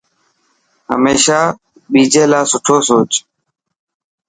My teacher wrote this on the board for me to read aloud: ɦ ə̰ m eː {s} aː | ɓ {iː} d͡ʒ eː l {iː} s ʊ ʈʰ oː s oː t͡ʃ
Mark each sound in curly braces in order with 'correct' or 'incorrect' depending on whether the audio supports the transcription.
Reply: incorrect: ʃ, correct, incorrect: aː

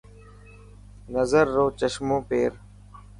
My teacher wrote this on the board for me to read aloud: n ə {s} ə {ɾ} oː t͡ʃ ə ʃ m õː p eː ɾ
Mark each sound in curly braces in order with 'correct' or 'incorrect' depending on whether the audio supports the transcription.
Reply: incorrect: z, incorrect: ɾː

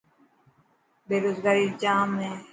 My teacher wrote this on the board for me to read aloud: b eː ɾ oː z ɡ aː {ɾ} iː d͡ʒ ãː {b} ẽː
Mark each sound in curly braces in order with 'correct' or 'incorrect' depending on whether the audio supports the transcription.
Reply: correct, incorrect: m

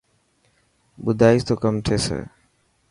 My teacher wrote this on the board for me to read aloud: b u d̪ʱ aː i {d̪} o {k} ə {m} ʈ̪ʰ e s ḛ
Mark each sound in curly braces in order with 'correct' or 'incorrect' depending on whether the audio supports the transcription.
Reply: incorrect: t̪, correct, correct

